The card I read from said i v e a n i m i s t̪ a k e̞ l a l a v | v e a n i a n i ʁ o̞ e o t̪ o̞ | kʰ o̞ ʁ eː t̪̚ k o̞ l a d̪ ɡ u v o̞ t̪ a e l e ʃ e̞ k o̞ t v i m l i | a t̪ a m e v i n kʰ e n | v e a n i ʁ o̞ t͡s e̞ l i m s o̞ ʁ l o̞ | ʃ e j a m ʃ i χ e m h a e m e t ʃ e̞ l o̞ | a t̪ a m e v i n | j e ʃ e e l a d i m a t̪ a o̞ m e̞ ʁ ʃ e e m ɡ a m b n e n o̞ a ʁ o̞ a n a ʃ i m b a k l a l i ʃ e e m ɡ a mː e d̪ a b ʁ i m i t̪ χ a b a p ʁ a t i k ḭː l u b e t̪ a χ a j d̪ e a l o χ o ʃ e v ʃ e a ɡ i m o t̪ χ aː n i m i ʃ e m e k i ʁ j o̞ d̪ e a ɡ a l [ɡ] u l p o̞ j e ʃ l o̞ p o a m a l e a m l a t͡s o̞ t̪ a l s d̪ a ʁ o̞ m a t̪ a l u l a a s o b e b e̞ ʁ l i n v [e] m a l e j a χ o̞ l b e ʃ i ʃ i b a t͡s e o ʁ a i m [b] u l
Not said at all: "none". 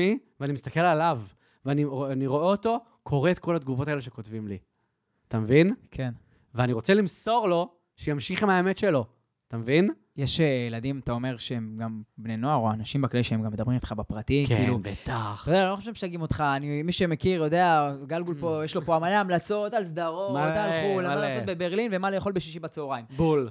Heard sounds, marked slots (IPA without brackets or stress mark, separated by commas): ɡ, e, b